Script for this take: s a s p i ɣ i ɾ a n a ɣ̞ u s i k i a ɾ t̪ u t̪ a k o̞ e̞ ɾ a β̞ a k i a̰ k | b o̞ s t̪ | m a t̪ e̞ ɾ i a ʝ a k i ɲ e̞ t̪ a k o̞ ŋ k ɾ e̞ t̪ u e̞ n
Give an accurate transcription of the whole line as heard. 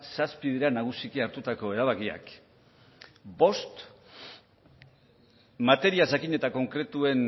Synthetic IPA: s a s p i ð i ɾ a n a ɣ̞ u s i k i a ɾ t̪ u t̪ a k o̞ e̞ ɾ a β̞ a k i a̰ k | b o̞ s t̪ | m a t̪ e̞ ɾ i a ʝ a k i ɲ e̞ t̪ a k o̞ ŋ k ɾ e̞ t̪ u e̞ n